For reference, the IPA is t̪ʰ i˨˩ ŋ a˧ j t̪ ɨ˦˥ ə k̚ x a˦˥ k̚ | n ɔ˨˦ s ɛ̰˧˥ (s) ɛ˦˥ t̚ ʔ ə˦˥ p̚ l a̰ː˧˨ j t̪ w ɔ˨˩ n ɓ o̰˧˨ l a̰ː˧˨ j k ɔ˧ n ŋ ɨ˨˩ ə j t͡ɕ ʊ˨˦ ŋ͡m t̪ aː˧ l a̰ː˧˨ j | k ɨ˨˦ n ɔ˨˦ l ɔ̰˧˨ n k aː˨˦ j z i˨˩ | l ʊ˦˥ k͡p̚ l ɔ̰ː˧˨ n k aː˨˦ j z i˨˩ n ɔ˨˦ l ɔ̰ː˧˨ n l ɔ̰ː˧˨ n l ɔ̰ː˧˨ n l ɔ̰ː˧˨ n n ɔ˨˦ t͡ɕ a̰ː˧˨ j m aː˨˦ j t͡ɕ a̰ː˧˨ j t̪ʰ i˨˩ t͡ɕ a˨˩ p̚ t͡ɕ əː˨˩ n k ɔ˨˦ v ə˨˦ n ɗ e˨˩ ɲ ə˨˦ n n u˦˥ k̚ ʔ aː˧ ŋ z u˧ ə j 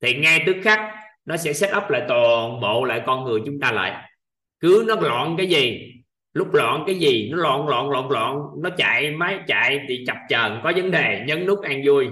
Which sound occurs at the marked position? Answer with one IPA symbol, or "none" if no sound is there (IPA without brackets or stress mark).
s